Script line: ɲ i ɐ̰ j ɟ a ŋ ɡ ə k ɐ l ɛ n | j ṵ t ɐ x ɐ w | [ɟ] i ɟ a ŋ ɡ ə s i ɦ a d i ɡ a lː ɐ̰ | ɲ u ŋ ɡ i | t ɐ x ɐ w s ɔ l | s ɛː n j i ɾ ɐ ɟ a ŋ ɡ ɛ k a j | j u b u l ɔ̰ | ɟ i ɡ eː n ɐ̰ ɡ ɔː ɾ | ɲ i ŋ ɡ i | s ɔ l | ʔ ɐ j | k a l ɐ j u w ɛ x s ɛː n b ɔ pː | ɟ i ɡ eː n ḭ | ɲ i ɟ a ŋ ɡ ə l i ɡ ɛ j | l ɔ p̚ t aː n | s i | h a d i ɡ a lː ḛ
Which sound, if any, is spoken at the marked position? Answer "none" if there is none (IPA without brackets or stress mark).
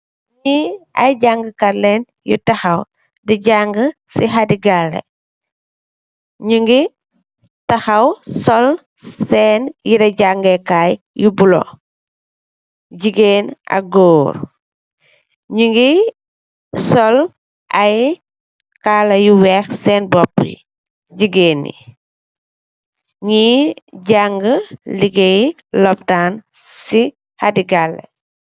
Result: d